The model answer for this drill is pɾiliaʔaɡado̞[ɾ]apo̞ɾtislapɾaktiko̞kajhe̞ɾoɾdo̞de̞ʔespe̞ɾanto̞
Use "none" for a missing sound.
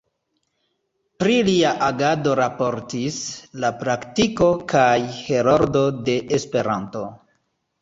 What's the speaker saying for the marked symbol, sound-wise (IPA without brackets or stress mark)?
ɾ